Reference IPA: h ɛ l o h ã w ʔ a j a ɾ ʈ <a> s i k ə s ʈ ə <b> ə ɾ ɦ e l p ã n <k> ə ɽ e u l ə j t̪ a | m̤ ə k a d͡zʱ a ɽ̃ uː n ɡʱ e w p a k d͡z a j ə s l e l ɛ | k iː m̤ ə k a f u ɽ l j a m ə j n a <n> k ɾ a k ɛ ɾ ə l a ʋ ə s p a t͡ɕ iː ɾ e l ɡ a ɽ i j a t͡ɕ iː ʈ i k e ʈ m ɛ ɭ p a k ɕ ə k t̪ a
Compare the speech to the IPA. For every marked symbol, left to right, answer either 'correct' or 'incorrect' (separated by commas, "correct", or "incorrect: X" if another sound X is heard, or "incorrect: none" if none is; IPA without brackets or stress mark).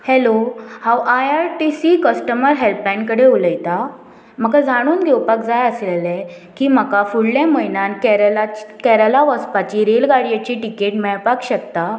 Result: incorrect: i, incorrect: m, correct, correct